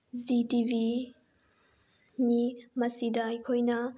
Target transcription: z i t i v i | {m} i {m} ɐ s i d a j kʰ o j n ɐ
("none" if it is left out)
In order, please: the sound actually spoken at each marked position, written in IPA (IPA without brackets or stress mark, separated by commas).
n, m